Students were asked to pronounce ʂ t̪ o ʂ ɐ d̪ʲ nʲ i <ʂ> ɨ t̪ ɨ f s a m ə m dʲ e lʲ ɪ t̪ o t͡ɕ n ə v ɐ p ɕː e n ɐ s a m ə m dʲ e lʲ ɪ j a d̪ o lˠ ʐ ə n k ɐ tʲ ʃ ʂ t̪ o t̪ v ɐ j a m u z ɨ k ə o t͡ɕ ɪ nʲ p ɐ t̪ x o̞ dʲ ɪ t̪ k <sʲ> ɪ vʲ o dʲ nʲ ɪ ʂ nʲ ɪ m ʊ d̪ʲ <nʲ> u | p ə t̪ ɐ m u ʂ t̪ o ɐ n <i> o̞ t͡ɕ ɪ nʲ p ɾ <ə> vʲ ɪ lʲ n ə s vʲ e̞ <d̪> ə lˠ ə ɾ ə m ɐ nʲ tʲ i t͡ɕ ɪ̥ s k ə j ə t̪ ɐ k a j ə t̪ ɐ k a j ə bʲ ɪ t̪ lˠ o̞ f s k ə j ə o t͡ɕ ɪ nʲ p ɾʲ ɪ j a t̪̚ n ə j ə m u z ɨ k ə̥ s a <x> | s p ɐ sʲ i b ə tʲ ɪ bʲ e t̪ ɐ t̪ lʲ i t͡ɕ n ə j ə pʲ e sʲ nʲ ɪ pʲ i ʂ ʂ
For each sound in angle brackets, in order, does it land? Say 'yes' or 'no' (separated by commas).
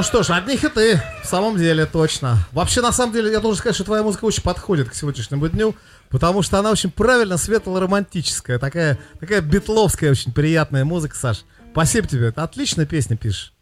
no, yes, yes, no, no, no, no